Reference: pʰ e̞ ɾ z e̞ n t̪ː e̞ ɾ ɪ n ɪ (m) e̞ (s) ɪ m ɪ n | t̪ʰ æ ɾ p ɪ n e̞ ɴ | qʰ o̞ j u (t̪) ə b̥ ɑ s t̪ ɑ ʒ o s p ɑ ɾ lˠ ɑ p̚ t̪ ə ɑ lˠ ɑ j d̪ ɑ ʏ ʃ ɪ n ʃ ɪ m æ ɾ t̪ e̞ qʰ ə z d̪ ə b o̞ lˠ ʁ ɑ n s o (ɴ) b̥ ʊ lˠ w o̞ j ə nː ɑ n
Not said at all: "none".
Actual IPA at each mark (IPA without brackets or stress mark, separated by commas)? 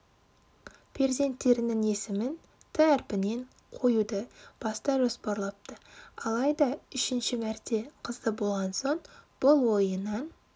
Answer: ŋ, s, d̪, ɴ